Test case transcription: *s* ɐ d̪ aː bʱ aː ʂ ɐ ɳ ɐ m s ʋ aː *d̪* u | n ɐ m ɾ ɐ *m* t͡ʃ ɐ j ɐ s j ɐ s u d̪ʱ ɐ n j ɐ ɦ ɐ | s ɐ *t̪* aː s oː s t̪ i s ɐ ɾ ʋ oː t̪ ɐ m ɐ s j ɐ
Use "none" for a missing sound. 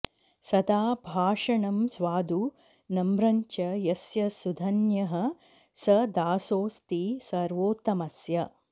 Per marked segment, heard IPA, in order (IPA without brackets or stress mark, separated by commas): s, d̪, ɲ, d̪